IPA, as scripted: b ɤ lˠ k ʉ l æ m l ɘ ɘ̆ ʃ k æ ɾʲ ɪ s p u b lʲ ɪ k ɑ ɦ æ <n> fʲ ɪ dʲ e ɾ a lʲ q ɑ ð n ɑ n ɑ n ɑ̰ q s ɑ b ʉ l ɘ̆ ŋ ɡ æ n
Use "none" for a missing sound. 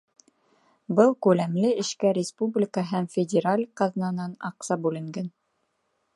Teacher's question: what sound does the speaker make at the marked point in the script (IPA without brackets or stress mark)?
m